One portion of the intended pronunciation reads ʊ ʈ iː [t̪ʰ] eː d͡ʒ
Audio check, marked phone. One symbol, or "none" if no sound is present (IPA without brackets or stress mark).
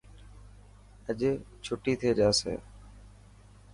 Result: t̪ʰ